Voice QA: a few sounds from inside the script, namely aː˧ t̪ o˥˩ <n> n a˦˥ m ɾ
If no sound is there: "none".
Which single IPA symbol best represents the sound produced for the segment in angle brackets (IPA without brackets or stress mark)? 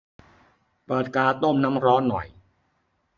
m